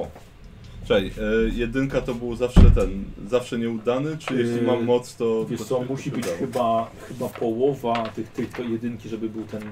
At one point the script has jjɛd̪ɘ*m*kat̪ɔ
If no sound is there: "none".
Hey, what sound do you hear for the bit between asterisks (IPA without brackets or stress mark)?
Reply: ŋ